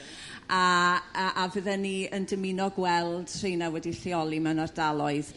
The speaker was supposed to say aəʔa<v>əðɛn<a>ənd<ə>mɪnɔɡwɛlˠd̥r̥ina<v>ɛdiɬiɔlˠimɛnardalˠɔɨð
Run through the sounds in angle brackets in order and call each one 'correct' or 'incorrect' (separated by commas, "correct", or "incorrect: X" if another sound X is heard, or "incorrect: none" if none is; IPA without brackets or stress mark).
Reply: correct, incorrect: i, correct, incorrect: w